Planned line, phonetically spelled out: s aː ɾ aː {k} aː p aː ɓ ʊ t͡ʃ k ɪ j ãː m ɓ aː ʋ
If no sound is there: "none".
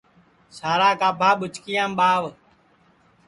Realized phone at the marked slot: k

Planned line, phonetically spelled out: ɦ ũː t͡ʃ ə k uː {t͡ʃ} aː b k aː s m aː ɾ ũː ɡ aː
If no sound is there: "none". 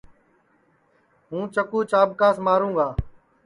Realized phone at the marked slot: t͡ʃ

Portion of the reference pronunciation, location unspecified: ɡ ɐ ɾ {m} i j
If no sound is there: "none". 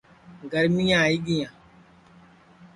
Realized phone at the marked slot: m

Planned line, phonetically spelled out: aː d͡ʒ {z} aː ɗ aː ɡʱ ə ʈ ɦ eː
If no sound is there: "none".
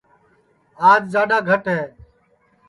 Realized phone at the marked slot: z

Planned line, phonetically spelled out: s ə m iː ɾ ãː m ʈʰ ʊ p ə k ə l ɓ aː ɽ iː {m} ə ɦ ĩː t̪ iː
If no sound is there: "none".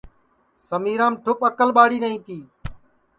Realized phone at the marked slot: n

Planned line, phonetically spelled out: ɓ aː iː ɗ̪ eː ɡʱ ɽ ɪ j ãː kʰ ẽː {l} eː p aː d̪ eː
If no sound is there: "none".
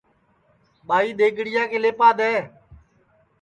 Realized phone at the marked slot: l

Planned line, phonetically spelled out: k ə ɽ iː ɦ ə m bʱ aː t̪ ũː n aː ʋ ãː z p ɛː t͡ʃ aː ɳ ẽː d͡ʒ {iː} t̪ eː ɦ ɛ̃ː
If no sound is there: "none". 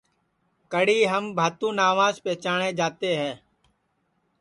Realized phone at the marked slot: aː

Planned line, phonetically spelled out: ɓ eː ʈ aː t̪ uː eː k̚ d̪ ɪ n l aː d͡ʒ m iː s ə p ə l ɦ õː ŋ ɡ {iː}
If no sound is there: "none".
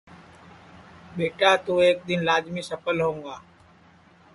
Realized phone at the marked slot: aː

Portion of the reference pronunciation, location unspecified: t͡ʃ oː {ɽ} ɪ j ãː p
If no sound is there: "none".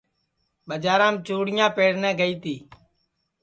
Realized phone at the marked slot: ɽ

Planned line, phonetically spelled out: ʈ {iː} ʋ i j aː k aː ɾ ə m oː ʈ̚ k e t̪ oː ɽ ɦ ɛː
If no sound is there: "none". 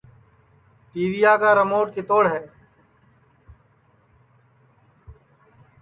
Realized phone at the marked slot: iː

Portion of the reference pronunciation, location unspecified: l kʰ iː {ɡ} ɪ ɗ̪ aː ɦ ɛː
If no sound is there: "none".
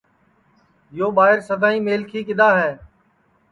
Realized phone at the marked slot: k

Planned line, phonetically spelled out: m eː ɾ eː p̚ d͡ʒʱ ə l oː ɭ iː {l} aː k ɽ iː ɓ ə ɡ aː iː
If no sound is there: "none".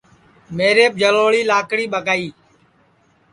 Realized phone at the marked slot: l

